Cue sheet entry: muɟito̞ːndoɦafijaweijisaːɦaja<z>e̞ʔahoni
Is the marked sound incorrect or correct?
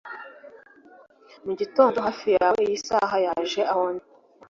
incorrect